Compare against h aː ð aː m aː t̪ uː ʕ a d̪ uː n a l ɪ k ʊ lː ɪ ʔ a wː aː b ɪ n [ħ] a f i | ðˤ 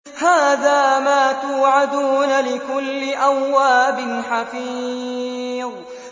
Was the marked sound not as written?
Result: no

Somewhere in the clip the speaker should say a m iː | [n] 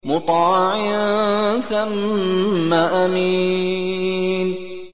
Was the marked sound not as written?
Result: no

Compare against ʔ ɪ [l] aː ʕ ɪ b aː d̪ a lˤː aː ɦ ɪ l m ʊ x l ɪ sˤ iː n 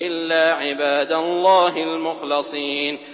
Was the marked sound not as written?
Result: yes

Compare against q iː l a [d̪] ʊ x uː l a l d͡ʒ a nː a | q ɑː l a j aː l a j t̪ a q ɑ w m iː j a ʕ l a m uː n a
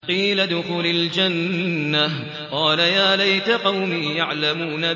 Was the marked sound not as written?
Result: no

